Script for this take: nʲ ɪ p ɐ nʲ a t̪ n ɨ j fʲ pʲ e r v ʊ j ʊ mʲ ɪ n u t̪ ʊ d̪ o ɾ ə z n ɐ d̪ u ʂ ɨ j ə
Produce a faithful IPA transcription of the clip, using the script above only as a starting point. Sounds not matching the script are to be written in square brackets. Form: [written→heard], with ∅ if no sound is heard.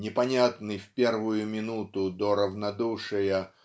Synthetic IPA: nʲ ɪ p ɐ nʲ a t̪ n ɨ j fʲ pʲ e r v ʊ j ʊ mʲ ɪ n u t̪ ʊ d̪ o ɾ ə [z→v] n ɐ d̪ u ʂ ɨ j ə